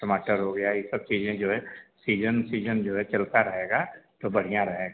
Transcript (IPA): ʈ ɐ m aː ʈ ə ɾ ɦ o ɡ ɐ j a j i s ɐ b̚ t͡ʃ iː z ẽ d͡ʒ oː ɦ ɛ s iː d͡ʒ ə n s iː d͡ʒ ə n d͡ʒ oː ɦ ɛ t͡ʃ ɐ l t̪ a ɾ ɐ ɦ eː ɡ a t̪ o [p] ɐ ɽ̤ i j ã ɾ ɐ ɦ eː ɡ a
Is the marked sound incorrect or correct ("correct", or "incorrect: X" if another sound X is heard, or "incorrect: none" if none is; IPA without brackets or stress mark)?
incorrect: b